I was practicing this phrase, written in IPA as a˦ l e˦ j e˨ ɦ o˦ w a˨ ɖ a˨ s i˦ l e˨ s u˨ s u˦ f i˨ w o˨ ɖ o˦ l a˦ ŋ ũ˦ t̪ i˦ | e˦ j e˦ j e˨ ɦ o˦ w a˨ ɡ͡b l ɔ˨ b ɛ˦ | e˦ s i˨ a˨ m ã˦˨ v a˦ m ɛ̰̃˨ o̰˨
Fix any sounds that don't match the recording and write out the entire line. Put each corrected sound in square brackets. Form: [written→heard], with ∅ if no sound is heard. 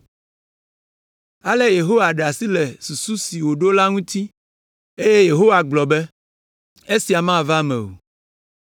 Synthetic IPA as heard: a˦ l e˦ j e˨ ɦ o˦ w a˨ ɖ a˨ s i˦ l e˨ s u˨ s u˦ [f→s] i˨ w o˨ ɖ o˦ l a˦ ŋ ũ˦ t̪ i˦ | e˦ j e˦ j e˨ ɦ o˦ w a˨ ɡ͡b l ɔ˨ b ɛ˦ | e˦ s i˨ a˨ m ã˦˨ v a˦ m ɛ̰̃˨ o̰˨